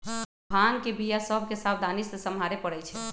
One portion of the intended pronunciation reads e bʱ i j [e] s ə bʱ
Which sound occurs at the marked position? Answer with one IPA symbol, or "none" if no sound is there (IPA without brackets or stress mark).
a